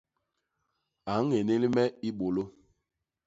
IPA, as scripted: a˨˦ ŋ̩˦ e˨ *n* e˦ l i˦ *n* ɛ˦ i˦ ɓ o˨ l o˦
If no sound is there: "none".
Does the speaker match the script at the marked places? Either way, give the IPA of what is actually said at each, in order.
n, m

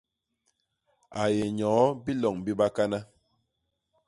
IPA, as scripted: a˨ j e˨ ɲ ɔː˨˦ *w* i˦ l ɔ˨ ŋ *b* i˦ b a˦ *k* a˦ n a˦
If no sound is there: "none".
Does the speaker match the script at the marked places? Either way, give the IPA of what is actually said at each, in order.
b, b, k

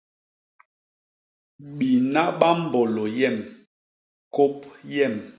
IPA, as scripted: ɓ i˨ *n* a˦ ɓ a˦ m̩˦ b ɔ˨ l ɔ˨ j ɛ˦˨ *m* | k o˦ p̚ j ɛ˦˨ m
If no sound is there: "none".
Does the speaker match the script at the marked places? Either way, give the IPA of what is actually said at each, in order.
n, m

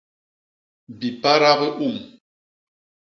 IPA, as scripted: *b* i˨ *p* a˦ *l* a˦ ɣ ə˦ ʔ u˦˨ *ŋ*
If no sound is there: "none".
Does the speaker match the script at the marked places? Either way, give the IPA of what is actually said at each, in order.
b, p, ɾ, m

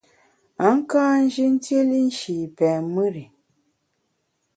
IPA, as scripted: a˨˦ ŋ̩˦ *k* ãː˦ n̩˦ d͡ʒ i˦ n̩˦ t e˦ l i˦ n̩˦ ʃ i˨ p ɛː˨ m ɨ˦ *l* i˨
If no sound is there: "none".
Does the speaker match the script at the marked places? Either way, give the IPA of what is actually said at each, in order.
k, ɾ

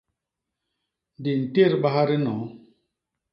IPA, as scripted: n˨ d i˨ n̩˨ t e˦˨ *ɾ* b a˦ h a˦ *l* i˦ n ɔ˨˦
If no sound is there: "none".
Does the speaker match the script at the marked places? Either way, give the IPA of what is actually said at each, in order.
ɾ, ɾ

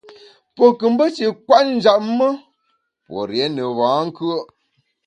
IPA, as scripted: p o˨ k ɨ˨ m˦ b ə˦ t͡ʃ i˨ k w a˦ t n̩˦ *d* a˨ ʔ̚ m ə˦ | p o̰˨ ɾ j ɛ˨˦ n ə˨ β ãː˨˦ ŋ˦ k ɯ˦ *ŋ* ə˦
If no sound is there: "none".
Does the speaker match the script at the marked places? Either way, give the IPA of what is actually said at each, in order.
d͡ʒ, none

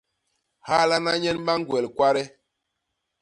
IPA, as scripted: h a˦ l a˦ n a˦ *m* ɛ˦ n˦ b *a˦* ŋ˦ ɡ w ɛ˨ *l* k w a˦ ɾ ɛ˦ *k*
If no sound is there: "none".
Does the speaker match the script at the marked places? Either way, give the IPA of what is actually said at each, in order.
ɲ, a˦, l, none

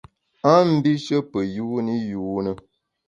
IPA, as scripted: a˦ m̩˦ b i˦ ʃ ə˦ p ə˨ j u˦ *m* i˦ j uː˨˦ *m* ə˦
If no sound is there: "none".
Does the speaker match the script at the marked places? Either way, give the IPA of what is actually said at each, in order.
n, n

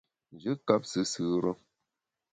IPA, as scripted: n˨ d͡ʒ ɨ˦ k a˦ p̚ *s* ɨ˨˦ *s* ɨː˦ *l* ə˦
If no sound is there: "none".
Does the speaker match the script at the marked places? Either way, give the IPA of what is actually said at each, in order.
s, s, ɾ

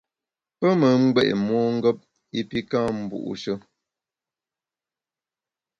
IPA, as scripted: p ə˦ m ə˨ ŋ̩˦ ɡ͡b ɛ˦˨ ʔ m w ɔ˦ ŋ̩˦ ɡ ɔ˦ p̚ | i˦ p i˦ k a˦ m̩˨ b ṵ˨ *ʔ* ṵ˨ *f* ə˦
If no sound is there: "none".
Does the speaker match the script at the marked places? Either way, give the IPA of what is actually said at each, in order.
ʔ, ʃ

